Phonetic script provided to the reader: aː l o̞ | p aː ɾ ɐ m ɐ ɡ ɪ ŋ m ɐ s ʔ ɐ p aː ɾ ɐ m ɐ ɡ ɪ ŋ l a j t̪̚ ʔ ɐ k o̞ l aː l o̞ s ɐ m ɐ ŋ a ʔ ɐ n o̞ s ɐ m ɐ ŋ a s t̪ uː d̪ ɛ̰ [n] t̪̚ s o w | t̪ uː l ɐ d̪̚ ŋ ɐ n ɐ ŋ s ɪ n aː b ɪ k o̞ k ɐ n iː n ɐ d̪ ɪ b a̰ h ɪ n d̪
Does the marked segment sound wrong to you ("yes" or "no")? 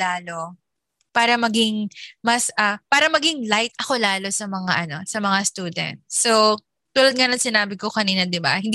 no